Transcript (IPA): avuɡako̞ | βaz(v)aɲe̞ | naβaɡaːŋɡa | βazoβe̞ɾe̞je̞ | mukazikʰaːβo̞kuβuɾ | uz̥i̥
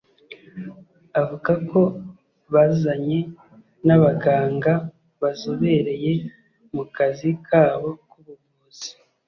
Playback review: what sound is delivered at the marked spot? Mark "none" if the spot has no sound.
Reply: z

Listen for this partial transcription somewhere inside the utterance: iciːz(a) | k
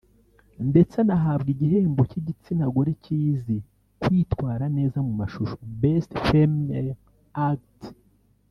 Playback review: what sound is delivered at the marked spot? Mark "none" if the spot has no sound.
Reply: i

